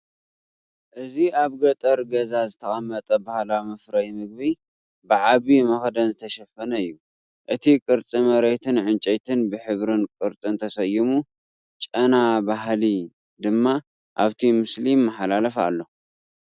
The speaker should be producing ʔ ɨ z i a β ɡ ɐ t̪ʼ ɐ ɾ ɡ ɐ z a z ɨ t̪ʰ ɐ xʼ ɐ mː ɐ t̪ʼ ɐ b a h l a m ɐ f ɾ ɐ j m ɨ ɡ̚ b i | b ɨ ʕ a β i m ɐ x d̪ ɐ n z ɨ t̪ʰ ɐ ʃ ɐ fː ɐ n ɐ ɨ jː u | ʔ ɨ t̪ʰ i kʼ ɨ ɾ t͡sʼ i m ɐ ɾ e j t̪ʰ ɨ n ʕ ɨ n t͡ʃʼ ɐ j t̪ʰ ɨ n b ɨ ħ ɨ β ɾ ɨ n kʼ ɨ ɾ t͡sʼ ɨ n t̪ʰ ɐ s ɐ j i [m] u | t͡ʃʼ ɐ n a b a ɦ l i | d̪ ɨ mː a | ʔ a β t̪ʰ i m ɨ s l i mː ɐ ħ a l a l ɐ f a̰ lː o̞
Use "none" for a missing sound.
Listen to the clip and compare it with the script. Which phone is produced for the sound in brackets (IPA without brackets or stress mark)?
m